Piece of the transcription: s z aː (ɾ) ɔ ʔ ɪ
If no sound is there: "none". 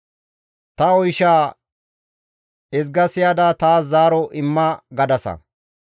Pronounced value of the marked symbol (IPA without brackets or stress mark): ɾ